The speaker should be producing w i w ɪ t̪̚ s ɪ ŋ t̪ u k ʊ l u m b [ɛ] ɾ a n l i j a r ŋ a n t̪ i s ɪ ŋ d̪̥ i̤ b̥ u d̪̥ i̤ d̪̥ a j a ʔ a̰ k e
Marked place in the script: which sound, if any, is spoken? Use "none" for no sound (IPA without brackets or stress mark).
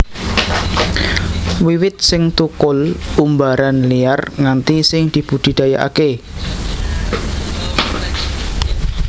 a